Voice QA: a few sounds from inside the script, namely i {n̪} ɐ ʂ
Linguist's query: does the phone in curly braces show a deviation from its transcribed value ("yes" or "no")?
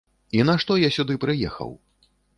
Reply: no